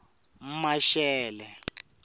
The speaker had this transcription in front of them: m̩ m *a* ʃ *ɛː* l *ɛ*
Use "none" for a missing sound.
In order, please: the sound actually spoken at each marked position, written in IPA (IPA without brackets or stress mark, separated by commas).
a, ɛː, ɛ